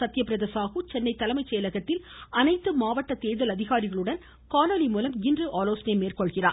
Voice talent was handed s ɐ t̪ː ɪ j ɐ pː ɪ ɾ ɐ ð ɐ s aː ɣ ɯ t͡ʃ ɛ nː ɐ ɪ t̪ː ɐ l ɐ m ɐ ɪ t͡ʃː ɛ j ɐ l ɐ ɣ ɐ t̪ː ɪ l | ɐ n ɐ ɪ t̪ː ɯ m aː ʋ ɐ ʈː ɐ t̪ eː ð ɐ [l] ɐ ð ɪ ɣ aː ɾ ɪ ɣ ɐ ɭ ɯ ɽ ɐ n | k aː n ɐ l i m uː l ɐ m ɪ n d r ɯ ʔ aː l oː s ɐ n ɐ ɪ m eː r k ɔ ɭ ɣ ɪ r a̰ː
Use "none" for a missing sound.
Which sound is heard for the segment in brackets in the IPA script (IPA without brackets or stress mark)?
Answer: l